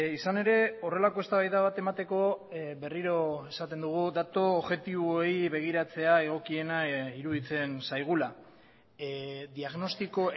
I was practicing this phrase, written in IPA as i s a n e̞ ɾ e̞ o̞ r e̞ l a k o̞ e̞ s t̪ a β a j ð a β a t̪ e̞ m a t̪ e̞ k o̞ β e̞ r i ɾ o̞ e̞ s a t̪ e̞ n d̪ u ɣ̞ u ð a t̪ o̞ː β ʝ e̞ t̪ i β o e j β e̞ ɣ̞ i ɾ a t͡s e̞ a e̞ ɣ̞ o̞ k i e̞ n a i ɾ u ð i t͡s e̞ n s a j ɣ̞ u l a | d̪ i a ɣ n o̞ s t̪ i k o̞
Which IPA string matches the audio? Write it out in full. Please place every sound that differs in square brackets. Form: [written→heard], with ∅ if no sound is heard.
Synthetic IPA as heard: i s a n e̞ ɾ e̞ o̞ r e̞ l a k o̞ e̞ s t̪ a β a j ð a β a t̪ e̞ m a t̪ e̞ k o̞ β e̞ r i ɾ o̞ e̞ s a t̪ e̞ n d̪ u ɣ̞ u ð a t̪ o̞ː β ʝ e̞ t̪ i β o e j β e̞ ɣ̞ i ɾ a t͡s e̞ a e̞ ɣ̞ o̞ k i e̞ n a i ɾ u ð i t͡s e̞ n s a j ɣ̞ u l a | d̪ i a ɣ n o̞ s t̪ i k o̞